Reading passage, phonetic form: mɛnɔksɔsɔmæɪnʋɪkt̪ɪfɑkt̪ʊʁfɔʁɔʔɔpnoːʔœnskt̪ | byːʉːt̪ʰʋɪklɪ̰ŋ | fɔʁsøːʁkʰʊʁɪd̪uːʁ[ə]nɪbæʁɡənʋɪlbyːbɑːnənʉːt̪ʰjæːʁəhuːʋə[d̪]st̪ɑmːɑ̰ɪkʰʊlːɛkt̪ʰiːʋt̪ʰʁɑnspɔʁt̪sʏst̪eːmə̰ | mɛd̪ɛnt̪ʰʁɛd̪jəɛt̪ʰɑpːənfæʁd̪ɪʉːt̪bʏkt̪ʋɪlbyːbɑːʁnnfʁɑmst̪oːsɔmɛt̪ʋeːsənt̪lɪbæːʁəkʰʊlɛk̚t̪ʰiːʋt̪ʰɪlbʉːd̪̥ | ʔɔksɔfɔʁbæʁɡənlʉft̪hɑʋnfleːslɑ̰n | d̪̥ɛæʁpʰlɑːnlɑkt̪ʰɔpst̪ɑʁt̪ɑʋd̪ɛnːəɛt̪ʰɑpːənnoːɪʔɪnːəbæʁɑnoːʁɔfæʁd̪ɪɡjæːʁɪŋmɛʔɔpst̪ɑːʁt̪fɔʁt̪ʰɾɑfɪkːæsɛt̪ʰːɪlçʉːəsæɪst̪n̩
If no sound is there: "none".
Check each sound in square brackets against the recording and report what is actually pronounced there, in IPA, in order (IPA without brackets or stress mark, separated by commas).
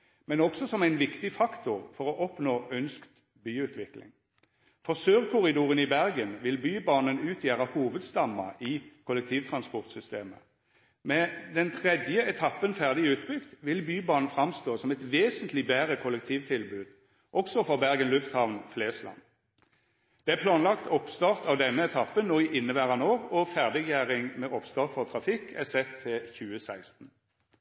ə, d̪